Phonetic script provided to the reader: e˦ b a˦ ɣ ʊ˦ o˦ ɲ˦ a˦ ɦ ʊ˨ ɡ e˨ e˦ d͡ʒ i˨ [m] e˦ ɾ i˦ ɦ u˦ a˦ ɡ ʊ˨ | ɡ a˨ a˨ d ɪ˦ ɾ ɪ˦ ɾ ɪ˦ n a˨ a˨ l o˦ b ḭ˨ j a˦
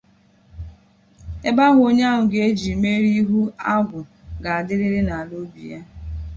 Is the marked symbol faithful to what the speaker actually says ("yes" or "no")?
yes